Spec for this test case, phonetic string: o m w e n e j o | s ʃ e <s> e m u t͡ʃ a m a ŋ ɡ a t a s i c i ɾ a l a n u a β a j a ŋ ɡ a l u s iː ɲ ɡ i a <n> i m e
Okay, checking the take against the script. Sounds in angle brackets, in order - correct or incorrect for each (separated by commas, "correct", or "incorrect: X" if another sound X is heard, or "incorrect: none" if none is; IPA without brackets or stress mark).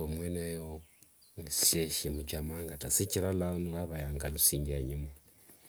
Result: incorrect: ʃ, incorrect: ɲ